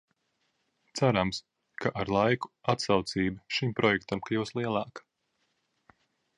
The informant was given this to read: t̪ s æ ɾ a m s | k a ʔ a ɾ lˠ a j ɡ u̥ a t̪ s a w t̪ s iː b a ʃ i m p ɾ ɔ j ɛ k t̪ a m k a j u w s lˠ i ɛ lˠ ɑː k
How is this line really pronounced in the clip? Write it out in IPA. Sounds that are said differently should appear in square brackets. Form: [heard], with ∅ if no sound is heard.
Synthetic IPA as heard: t̪ s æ ɾ a m s | k a ʔ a ɾ lˠ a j [k] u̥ a t̪ s a w t̪ s iː b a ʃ i m p ɾ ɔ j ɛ k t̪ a m k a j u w s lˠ i ɛ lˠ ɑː k